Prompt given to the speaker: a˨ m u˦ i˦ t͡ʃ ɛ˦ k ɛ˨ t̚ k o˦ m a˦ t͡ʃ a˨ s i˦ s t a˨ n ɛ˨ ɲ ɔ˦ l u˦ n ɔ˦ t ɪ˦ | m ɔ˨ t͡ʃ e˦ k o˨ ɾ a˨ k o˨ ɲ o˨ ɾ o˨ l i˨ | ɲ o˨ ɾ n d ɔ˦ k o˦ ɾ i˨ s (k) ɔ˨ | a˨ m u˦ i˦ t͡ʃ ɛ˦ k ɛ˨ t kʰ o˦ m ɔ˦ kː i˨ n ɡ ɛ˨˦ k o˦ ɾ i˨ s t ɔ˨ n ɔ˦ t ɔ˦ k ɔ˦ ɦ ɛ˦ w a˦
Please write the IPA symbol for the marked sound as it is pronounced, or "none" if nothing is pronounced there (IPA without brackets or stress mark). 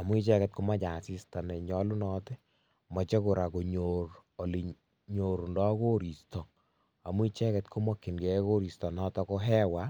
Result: t